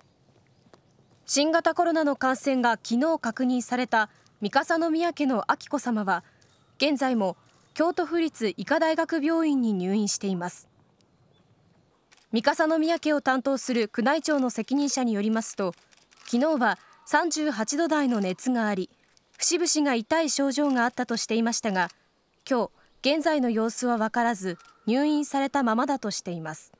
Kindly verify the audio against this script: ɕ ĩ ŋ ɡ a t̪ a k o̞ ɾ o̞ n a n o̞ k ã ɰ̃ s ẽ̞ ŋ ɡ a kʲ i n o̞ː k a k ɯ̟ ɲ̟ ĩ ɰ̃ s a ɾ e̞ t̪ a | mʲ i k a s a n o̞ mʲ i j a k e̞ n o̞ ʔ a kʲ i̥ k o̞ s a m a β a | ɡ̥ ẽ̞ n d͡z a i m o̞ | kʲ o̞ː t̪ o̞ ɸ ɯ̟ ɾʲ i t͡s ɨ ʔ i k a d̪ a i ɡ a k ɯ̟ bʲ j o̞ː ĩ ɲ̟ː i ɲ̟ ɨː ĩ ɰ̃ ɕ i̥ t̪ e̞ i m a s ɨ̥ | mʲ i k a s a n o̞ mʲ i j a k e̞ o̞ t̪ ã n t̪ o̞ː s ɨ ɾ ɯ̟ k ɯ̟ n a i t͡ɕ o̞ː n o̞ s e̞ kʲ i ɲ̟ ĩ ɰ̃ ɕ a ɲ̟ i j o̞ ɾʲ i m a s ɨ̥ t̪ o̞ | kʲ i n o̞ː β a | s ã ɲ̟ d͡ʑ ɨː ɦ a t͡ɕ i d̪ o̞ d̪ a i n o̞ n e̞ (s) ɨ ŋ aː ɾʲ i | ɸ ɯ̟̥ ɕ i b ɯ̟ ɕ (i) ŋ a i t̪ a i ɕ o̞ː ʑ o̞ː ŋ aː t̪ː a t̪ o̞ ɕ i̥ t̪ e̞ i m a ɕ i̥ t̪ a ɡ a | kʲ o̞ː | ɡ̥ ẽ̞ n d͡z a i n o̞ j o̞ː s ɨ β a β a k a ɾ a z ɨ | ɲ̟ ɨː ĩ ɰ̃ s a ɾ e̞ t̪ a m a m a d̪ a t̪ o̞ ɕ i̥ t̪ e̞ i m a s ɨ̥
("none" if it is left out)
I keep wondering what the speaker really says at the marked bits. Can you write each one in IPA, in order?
t͡s, i

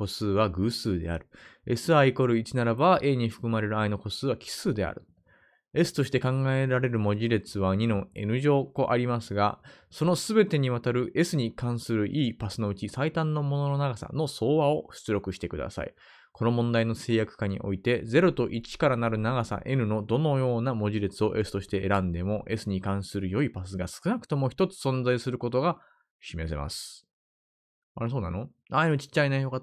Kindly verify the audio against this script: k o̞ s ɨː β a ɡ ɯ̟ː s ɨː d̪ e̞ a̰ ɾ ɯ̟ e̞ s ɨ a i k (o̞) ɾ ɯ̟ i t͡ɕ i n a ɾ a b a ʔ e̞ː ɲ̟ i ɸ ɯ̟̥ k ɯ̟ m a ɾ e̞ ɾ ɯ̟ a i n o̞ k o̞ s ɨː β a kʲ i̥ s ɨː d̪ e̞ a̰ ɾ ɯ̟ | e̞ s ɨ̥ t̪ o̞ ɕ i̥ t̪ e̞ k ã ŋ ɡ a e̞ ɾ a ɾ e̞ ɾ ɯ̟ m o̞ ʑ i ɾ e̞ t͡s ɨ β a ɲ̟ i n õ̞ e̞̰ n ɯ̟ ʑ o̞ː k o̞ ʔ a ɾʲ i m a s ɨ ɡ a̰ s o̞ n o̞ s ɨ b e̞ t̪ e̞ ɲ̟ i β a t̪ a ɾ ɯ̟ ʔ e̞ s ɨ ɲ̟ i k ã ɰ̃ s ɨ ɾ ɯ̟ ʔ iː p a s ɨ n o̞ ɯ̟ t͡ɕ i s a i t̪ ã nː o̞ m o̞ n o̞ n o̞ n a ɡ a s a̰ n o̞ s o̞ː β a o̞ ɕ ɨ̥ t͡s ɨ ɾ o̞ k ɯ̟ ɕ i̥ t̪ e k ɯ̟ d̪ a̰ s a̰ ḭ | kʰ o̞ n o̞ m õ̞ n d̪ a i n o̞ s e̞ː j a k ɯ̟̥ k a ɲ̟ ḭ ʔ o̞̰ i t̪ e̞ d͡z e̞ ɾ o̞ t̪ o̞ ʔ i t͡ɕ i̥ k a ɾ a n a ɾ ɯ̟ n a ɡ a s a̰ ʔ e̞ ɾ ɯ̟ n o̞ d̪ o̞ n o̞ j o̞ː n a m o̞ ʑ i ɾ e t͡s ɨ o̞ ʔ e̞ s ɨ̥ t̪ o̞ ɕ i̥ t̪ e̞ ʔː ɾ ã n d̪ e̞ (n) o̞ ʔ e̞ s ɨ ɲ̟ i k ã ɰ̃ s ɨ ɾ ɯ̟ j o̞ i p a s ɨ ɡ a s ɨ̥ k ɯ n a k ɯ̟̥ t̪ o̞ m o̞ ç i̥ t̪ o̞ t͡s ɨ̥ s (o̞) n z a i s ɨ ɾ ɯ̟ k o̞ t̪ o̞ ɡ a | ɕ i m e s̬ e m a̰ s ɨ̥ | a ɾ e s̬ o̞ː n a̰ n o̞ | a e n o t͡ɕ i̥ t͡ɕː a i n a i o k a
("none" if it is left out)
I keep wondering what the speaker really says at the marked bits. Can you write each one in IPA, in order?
o̞, m, õ̞

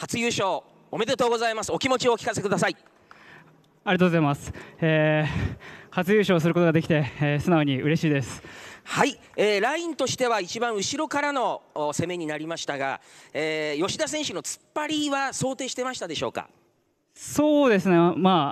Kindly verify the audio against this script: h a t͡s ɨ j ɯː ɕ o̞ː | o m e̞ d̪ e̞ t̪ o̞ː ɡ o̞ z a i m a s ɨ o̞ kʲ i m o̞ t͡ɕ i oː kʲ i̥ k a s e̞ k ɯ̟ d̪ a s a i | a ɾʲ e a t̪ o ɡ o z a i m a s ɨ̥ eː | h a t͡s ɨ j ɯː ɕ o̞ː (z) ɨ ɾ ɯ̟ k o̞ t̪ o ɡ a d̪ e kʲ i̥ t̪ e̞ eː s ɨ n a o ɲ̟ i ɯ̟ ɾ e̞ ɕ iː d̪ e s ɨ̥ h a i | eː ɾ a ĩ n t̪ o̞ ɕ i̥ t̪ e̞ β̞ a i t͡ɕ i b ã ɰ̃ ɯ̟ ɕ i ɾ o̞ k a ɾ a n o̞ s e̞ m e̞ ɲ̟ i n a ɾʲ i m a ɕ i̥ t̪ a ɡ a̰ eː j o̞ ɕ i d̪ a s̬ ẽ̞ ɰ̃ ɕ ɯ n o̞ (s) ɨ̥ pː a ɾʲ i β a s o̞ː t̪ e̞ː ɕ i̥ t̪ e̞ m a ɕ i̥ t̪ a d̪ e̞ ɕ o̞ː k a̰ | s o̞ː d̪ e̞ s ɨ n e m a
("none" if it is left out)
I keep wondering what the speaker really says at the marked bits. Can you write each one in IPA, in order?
s, t͡s

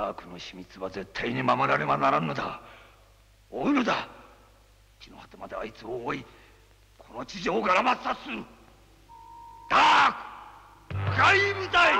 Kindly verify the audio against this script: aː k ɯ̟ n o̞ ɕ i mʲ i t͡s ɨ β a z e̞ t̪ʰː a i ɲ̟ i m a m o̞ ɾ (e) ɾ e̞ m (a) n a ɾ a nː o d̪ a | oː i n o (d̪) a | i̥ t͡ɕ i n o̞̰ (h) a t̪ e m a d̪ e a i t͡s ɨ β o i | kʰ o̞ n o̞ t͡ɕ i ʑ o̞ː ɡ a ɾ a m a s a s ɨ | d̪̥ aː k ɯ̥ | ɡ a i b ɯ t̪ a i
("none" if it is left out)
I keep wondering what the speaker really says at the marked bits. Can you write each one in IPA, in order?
a, a, d̪, h

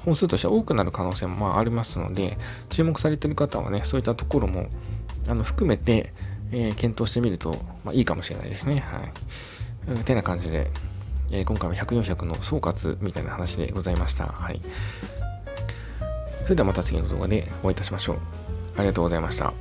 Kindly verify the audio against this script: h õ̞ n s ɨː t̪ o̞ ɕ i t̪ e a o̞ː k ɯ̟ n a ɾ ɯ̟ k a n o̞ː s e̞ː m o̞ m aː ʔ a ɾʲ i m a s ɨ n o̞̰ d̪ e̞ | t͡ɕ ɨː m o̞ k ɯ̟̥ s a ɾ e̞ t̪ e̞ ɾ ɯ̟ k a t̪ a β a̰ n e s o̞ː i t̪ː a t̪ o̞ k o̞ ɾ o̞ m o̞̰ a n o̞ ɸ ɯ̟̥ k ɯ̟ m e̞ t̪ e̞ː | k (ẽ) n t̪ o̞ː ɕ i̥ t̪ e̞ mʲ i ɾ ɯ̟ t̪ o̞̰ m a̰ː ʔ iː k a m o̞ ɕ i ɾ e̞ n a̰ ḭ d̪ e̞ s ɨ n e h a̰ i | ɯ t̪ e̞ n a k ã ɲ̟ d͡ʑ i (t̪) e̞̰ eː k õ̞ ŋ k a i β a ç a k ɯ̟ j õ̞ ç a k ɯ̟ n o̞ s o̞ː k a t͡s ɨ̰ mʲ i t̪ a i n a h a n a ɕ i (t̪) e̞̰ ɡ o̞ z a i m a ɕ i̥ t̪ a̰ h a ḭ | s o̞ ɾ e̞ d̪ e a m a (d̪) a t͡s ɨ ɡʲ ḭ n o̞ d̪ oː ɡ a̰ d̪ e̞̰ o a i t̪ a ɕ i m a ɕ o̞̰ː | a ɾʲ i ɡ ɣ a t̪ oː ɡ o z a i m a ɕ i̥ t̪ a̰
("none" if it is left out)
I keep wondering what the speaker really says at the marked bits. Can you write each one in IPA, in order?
ẽ, d̪, d̪, t̪

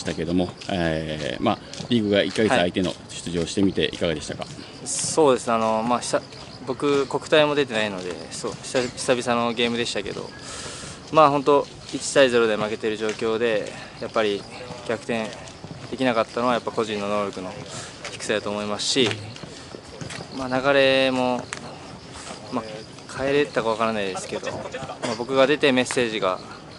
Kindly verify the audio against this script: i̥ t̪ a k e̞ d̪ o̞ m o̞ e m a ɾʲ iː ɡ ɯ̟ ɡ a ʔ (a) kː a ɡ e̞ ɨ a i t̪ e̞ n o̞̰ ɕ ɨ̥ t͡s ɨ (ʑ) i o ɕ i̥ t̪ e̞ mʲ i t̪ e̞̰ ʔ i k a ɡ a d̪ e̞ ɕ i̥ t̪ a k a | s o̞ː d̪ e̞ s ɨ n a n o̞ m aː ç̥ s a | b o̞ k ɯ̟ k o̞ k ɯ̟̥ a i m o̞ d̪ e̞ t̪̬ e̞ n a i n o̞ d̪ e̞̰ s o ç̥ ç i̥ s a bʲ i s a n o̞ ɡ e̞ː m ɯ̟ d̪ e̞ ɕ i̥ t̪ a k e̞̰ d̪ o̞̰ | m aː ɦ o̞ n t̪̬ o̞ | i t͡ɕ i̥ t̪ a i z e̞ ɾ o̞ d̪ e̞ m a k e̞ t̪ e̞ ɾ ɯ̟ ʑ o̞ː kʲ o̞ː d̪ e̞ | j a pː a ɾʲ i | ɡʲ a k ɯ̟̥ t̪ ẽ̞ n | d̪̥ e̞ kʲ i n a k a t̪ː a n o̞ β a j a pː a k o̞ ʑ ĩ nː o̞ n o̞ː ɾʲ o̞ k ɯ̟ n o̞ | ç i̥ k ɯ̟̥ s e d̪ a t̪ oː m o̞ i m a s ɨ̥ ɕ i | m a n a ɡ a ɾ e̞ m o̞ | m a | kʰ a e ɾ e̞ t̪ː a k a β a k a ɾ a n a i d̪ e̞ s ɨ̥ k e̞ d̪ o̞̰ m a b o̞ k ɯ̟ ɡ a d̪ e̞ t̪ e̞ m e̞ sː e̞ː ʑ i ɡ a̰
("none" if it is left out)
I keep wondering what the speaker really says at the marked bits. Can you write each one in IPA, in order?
i, ʑ

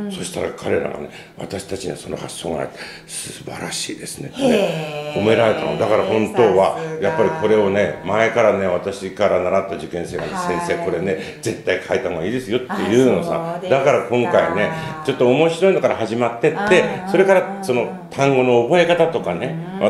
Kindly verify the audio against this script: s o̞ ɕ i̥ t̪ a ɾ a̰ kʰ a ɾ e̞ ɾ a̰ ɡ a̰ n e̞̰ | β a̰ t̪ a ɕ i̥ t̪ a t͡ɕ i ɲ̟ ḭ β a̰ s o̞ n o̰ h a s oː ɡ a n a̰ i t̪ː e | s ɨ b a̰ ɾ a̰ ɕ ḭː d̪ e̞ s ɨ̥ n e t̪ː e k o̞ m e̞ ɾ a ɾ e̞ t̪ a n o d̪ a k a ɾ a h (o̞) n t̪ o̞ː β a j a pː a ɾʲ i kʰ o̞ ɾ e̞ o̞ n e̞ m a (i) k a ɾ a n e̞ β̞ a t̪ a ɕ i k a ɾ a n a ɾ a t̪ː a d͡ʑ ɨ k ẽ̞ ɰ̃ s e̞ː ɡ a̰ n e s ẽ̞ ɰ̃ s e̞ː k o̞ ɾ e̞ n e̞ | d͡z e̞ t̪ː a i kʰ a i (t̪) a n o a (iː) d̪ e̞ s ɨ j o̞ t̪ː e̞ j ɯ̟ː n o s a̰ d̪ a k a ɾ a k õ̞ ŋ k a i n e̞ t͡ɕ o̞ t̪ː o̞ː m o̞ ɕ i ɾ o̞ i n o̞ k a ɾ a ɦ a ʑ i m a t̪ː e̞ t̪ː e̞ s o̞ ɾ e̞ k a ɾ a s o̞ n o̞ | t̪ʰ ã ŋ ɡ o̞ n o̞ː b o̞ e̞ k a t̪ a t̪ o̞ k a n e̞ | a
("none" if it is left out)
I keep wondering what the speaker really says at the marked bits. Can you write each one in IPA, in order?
õ̞, e, t̪, iː

